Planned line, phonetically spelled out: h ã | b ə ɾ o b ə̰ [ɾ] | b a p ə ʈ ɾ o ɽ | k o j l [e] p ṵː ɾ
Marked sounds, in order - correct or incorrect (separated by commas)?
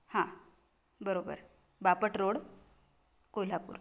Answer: correct, incorrect